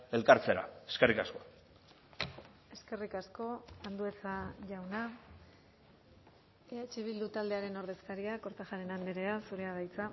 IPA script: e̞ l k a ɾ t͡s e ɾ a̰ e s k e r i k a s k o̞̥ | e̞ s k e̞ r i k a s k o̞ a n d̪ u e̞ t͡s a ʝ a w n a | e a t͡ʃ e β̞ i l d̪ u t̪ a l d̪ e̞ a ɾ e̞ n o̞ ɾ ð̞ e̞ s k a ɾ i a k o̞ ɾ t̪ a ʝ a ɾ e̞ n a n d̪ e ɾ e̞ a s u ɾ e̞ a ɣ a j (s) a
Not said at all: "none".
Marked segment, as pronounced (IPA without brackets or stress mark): t͡s